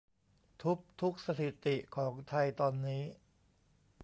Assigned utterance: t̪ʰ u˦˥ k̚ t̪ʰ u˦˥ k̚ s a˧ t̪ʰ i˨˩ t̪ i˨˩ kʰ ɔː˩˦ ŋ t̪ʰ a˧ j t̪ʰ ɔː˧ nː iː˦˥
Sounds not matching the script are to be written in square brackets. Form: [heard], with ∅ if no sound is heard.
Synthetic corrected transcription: t̪ʰ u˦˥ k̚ t̪ʰ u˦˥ k̚ s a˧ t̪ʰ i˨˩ t̪ i˨˩ kʰ ɔː˩˦ ŋ t̪ʰ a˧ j [t̪] ɔː˧ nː iː˦˥